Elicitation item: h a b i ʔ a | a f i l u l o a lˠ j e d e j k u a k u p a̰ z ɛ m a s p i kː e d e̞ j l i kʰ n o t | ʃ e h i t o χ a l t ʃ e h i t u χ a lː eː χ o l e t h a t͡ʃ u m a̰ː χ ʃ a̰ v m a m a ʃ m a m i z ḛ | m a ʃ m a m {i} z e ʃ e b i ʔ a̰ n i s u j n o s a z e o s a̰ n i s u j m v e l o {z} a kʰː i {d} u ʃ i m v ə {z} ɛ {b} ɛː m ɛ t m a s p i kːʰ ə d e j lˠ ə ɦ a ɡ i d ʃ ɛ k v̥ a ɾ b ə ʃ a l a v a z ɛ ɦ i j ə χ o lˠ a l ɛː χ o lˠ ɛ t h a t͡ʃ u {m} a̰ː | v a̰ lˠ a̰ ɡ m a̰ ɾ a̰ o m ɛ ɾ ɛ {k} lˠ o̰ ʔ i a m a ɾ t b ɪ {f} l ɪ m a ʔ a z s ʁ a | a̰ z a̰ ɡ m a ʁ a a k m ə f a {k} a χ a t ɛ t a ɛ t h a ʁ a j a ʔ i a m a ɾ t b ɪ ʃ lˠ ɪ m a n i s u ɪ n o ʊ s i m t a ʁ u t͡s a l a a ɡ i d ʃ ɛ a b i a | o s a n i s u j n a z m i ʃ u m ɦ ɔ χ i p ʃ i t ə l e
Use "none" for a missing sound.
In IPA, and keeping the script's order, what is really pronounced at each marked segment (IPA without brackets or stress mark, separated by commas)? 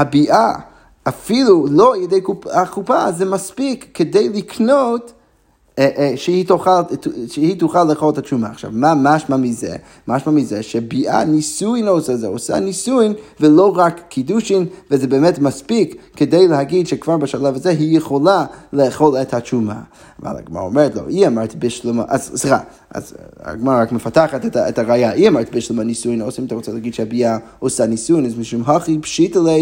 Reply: i, ʁ, d, z, b, m, t, ʃ, t